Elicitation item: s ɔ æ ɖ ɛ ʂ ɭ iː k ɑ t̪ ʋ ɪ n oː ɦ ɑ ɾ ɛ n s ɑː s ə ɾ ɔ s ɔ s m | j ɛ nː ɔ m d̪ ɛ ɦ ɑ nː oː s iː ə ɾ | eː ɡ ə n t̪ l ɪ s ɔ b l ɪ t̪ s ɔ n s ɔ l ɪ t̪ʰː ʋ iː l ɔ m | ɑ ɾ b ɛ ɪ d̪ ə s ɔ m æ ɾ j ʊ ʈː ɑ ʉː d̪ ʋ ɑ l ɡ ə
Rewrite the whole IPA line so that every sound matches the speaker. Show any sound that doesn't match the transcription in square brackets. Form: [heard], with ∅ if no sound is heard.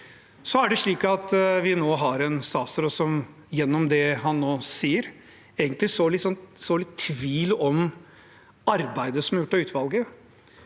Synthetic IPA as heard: s ɔ æ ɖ ɛ ʂ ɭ iː k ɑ t̪ ʋ ɪ n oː ɦ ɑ ɾ ɛ n s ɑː s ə ɾ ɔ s ɔ [∅] m | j ɛ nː ɔ m d̪ ɛ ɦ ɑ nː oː s iː ə ɾ | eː ɡ ə n t̪ l ɪ s ɔ [∅] l ɪ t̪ s ɔ n s ɔ l ɪ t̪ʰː ʋ iː l ɔ m | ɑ ɾ b [æ] ɪ d̪ ə s ɔ m æ ɾ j ʊ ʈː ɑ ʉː [t̪] ʋ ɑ l ɡ ə